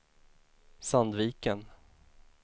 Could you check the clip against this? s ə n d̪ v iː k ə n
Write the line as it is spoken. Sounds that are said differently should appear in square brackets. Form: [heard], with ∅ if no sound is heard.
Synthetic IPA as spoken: s [a] n d̪ v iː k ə n

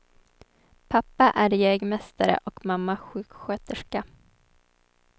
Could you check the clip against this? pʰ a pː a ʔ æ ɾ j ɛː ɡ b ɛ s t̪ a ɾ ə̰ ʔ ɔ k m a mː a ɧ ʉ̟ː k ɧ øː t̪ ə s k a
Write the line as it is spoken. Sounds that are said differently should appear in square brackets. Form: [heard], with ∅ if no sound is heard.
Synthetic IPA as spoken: pʰ a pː a ʔ æ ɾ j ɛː ɡ [m] ɛ s t̪ a ɾ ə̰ ʔ ɔ k m a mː a ɧ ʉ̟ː k ɧ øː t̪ ə [ʂ] k a

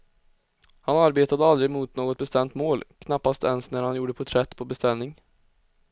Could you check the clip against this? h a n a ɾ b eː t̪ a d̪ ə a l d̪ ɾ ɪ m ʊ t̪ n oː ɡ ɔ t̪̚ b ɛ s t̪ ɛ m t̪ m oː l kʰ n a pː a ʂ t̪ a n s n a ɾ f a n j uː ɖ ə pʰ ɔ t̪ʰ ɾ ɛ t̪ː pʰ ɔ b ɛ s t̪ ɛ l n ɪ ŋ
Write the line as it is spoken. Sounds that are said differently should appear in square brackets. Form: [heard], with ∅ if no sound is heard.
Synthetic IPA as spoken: h a n a ɾ b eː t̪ a d̪ ə a l d̪ ɾ ɪ m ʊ t̪ n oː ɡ ɔ t̪̚ b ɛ s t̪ ɛ m t̪ m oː l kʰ n a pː a [s] t̪ [ɛ] n s n [æ] ɾ [h] a n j uː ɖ ə pʰ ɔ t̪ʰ ɾ ɛ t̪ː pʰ ɔ b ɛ s t̪ ɛ l n ɪ ŋ

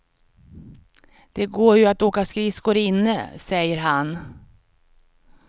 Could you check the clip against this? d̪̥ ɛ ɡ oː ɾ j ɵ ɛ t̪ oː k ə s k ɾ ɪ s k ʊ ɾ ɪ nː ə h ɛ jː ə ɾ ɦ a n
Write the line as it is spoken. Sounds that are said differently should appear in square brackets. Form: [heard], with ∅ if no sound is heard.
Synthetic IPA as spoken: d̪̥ ɛ ɡ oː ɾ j ɵ [a] t̪ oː k [a] s k ɾ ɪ s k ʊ ɾ ɪ nː ə [s] ɛ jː ə ɾ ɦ a n

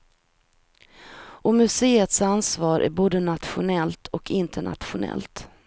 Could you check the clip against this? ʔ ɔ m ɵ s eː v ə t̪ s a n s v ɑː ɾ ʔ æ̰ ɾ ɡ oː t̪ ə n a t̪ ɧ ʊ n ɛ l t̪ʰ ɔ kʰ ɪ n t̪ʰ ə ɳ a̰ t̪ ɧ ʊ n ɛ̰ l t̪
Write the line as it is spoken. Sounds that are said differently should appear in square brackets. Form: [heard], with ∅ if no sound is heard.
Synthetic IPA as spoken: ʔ ɔ m ɵ s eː [∅] ə t̪ s a n s v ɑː ɾ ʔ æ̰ ɾ [b] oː [d̪] ə n a t̪ ɧ ʊ n ɛ l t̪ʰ ɔ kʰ ɪ n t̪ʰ ə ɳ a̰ t̪ ɧ ʊ n ɛ̰ l t̪

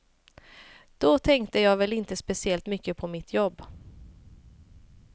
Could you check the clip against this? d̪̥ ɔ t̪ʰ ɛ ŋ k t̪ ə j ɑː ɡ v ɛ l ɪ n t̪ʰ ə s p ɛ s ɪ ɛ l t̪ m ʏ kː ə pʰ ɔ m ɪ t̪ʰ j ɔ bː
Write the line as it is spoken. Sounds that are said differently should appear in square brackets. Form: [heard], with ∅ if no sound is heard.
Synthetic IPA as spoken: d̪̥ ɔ t̪ʰ ɛ ŋ k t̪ ə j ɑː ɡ v ɛ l ɪ n [t̪] ə s p ɛ s ɪ ɛ l t̪ m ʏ kː ə pʰ ɔ m ɪ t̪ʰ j ɔ bː

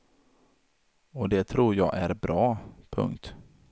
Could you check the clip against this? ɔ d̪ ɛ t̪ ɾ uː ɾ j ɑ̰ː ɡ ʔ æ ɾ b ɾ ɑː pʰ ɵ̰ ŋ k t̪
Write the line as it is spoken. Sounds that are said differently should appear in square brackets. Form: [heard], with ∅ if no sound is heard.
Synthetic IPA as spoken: ɔ d̪ ɛ [t̪ʰ] ɾ uː ɾ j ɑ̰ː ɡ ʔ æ ɾ b ɾ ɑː pʰ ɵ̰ ŋ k t̪

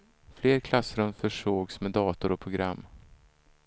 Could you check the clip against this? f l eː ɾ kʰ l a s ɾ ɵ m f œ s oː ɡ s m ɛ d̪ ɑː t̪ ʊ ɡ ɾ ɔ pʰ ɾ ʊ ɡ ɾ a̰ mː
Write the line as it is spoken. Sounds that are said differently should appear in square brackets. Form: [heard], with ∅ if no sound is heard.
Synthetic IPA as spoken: f l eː ɾ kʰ l a s ɾ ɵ m f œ [ʂ] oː ɡ s m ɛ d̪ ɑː t̪ ʊ [∅] ɾ ɔ pʰ ɾ ʊ ɡ ɾ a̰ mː

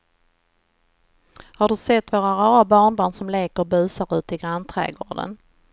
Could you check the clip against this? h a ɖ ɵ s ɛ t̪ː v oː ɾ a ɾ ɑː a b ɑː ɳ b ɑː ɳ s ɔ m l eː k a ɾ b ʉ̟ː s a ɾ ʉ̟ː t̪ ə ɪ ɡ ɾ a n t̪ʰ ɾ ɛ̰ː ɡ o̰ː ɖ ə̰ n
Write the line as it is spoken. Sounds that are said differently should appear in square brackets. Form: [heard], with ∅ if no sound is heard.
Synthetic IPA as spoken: h a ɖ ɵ s ɛ t̪ː v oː ɾ a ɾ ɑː a b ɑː ɳ b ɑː ɳ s ɔ m l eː k [ə] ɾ b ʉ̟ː s a ɾ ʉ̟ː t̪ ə ɪ ɡ ɾ a n t̪ʰ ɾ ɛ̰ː ɡ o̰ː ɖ ə̰ n

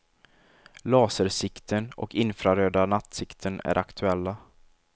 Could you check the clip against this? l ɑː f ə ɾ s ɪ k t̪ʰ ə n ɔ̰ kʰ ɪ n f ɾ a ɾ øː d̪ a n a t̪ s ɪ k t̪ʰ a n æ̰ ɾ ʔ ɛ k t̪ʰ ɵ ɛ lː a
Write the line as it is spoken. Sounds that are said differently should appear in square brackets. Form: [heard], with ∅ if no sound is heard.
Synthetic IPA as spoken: l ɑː [s] ə ɾ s ɪ k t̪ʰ ə n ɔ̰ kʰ ɪ n f ɾ a ɾ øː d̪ a n a t̪ s ɪ k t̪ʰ [ə] n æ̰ ɾ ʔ [a] k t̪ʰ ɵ ɛ lː a

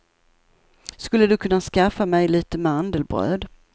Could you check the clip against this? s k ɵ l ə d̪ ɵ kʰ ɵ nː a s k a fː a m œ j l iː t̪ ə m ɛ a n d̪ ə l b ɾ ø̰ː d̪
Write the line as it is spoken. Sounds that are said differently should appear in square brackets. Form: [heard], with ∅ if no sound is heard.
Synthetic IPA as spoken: s k ɵ [lː] ə d̪ ɵ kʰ ɵ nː a s k a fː a m [ɛ] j l iː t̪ ə m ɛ a n d̪ ə l b ɾ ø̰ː d̪

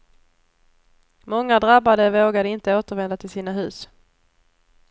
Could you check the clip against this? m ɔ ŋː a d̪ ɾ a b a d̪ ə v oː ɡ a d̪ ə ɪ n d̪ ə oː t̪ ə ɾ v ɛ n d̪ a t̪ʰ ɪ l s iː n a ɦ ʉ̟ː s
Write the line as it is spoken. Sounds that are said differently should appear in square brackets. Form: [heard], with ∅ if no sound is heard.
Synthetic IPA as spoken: m ɔ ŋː a d̪ ɾ a b a d̪ ə v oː ɡ a d̪ ə ɪ n [t̪] ə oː t̪ ə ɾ v ɛ n d̪ a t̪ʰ ɪ l s iː n a ɦ ʉ̟ː s

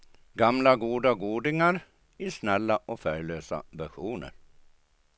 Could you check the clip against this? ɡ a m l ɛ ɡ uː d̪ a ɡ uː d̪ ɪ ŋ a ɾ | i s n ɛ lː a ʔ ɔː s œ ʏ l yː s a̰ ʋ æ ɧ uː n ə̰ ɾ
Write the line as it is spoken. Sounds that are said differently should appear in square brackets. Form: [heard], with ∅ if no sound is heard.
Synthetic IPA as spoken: ɡ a m l [a] ɡ uː d̪ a ɡ uː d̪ ɪ ŋ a ɾ | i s n ɛ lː a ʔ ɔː [f] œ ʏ l [øː] s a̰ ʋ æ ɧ uː n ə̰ ɾ

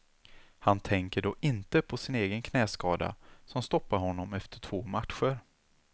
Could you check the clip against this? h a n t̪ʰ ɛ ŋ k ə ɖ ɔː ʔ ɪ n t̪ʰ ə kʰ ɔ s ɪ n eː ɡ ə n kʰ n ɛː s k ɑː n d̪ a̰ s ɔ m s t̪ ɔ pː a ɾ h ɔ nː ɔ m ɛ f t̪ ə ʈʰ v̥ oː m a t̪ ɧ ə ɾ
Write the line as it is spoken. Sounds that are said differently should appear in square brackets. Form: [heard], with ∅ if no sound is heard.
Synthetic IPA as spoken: h a n t̪ʰ ɛ ŋ k ə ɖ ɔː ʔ ɪ n [t̪] ə [pʰ] ɔ s ɪ n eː ɡ ə n kʰ n ɛː s k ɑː [∅] d̪ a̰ s ɔ m s t̪ ɔ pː a ɾ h ɔ nː ɔ m ɛ f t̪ ə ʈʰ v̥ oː m a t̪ ɧ ə ɾ

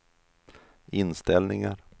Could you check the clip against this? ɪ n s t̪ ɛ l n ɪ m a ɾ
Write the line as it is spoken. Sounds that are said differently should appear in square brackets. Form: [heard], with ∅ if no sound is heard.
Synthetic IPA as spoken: ɪ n s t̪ ɛ l n ɪ [ŋ] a ɾ

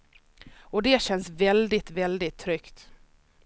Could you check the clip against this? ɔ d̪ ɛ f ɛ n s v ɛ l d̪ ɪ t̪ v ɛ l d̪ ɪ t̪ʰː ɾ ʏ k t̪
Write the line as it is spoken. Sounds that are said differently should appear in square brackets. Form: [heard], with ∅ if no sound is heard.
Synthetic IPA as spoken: ɔ d̪ ɛ [ɕ] ɛ n s v ɛ l d̪ ɪ t̪ v ɛ l d̪ ɪ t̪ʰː ɾ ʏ k t̪

